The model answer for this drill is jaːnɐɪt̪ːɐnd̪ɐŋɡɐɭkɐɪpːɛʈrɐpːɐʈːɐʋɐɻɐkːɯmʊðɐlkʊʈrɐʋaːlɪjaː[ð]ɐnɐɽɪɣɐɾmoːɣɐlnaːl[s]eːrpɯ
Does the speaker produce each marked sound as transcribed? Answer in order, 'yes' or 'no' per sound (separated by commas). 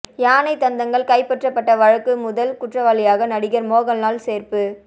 no, yes